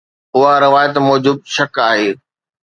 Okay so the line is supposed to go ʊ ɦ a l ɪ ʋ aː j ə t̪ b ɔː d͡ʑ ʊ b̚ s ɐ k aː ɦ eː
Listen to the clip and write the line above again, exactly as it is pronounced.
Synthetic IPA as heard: ʊ ɦ a ɾ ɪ ʋ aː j ə t̪ m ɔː d͡ʑ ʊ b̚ ʃ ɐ k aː ɦ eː